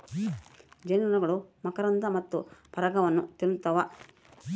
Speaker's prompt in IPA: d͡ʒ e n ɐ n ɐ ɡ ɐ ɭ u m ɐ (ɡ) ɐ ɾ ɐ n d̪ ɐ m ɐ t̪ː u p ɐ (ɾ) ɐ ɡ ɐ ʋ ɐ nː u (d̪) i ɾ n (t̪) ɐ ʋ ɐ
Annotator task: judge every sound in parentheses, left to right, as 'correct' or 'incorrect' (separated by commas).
incorrect, correct, incorrect, correct